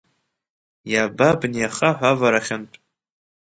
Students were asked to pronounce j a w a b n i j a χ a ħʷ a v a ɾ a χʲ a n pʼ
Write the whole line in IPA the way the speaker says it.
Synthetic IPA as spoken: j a b a b n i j a χ a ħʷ a v a ɾ a χʲ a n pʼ